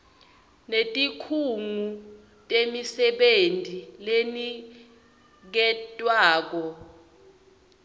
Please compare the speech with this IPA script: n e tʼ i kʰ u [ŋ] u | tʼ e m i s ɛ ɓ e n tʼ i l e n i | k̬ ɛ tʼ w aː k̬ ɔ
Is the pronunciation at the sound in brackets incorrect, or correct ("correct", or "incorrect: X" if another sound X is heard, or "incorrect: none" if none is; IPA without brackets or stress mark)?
correct